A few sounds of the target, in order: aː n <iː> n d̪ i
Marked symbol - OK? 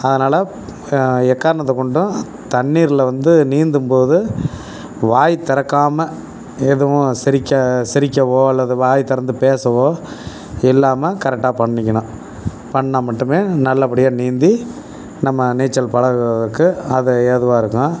yes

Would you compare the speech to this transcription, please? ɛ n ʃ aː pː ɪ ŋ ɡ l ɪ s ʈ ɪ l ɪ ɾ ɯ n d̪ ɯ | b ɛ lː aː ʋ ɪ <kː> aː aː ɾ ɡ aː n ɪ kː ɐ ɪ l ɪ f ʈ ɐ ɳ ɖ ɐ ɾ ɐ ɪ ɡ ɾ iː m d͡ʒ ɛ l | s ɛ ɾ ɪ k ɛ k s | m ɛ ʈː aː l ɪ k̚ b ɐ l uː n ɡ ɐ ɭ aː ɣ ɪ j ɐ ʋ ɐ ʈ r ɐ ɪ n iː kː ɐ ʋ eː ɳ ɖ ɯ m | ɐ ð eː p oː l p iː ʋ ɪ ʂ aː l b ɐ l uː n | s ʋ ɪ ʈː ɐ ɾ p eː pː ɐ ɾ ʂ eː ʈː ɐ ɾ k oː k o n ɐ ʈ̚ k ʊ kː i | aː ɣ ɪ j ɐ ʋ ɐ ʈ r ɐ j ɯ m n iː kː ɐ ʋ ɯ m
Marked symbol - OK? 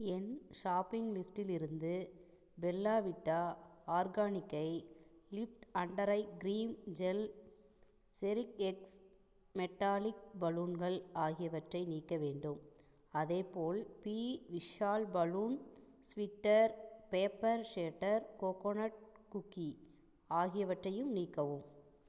no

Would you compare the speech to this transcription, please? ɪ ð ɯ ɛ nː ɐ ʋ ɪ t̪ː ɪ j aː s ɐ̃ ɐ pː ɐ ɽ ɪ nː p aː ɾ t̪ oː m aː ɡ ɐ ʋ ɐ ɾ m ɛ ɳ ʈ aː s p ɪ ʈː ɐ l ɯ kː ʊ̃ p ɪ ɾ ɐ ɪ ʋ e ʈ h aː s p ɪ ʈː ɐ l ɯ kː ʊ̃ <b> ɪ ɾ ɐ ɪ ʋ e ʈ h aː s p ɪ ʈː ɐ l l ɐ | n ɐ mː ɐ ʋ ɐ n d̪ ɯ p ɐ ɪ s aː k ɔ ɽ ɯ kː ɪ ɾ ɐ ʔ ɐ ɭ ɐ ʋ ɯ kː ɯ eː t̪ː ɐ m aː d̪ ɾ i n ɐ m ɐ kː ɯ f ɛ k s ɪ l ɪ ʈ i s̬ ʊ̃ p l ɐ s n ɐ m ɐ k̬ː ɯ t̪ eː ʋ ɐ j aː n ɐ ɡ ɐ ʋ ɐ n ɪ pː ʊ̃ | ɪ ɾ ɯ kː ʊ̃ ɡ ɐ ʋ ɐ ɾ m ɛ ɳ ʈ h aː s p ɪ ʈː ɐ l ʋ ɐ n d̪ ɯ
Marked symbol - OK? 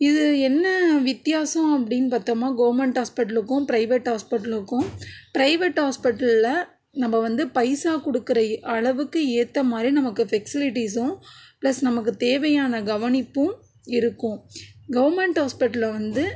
no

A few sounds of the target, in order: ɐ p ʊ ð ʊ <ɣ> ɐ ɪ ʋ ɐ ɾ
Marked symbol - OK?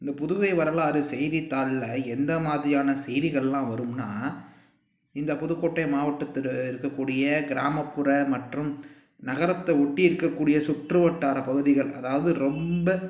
yes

